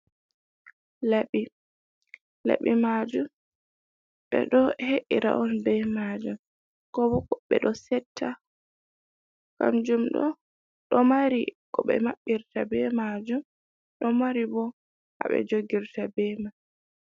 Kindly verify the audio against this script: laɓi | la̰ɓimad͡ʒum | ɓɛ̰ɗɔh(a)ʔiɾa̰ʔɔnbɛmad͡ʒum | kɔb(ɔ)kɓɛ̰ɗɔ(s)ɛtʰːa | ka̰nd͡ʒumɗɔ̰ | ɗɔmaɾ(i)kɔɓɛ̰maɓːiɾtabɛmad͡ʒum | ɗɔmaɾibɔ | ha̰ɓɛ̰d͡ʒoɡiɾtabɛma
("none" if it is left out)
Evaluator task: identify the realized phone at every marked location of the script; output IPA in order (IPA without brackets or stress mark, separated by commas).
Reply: e, ɔ, s, i